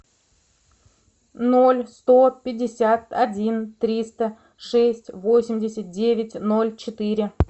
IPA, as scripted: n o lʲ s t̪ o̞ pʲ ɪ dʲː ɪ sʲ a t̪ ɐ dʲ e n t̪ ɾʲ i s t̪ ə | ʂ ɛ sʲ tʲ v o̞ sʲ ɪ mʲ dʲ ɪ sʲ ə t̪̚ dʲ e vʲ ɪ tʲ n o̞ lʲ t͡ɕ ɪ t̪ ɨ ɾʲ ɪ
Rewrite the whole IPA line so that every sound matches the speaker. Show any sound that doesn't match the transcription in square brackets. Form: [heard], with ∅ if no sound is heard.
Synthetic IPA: n o lʲ s t̪ o̞ pʲ ɪ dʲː ɪ sʲ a t̪ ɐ dʲ [i] n t̪ ɾʲ i s t̪ ə | ʂ ɛ sʲ tʲ v o̞ sʲ ɪ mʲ dʲ ɪ sʲ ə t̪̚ dʲ e vʲ ɪ tʲ n o̞ lʲ t͡ɕ ɪ t̪ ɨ ɾʲ ɪ